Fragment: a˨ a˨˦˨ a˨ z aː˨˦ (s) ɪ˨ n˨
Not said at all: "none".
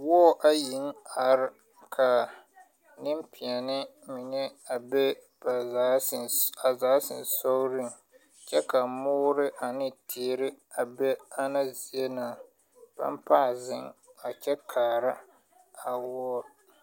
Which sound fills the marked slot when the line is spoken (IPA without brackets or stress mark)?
s